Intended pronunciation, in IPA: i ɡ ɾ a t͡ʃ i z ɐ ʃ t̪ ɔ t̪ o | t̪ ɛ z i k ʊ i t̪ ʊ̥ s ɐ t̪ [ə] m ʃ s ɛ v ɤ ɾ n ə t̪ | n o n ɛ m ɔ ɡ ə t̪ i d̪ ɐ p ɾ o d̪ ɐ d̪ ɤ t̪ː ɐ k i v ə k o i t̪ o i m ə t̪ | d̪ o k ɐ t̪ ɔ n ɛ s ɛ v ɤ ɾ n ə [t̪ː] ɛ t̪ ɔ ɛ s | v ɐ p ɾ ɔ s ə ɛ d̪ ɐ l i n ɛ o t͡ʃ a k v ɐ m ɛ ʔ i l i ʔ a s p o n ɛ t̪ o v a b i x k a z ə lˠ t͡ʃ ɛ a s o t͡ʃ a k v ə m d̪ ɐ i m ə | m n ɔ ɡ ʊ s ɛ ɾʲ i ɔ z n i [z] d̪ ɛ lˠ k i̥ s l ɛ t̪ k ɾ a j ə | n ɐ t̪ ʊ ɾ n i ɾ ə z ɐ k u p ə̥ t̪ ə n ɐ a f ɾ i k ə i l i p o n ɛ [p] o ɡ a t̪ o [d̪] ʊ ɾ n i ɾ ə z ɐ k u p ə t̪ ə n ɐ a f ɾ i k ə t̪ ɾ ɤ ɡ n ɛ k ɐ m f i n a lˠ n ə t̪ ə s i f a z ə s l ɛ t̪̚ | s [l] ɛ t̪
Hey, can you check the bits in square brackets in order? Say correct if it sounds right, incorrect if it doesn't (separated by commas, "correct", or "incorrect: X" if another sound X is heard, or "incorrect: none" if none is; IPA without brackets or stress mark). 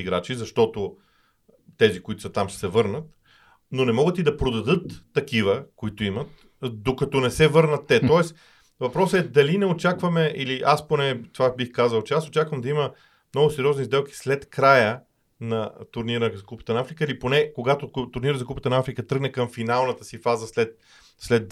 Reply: incorrect: a, correct, correct, incorrect: k, incorrect: t̪, correct